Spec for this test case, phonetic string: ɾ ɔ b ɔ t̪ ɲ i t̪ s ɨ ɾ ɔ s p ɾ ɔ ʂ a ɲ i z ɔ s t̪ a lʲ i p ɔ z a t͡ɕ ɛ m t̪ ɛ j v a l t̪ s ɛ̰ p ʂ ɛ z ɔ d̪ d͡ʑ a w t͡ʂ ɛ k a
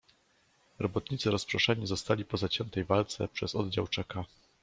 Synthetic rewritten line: ɾ ɔ b ɔ t̪ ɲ i t̪ s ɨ ɾ ɔ s p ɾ ɔ ʂ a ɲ i z ɔ s t̪ a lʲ i p ɔ z a t͡ɕ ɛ n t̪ ɛ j v a l t̪ s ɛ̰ p ʂ ɛ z ɔ d̪ d͡ʑ a w t͡ʂ ɛ k a